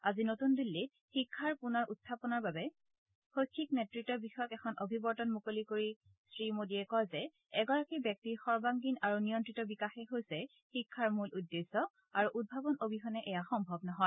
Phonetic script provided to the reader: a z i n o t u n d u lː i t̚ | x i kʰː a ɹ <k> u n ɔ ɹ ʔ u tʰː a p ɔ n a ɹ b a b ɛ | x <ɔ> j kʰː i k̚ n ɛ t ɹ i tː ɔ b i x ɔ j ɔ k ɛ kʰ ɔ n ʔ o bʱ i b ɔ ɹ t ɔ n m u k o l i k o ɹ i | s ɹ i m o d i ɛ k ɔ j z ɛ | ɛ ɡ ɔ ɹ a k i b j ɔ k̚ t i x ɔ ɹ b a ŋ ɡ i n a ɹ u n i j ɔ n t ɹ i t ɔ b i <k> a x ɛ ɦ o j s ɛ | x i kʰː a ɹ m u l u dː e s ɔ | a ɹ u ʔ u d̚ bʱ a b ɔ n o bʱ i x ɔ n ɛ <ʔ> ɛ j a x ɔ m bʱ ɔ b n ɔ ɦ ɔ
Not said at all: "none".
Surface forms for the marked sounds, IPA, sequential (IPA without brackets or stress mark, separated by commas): p, o, k, ʔ